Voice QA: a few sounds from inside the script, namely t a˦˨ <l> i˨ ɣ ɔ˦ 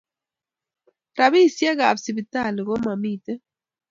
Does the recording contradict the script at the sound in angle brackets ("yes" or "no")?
no